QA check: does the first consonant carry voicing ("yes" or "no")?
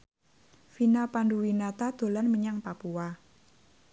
no